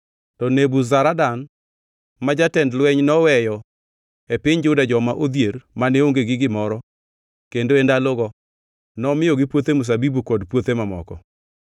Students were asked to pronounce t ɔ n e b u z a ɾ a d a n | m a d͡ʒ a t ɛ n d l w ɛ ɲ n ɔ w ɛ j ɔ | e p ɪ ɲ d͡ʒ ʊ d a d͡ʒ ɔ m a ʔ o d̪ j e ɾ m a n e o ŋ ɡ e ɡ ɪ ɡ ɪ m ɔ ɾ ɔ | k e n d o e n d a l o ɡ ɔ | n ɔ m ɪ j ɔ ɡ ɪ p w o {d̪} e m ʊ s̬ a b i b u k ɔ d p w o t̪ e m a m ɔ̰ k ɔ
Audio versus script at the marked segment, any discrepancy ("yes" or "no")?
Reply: yes